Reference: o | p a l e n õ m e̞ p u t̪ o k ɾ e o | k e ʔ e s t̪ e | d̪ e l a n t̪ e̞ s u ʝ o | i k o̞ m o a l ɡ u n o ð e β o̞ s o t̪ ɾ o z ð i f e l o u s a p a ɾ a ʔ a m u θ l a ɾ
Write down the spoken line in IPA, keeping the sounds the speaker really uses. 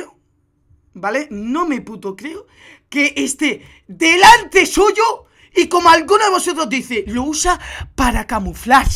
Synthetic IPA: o | b a l e n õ m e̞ p u t̪ o k ɾ e o | k e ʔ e s t̪ e | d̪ e l a n t̪ e̞ s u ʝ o | i k o̞ m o a l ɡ u n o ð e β o̞ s o t̪ ɾ o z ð i θ e l o u s a p a ɾ a k a m u f l a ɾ